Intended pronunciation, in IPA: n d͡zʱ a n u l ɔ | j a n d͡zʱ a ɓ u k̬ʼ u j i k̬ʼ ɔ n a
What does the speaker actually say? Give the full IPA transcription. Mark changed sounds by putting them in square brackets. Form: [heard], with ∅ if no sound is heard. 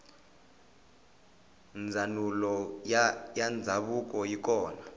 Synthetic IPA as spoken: n d͡zʱ a n u l ɔ | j a n d͡zʱ a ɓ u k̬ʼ [ɔ] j i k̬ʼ [ɔː] n a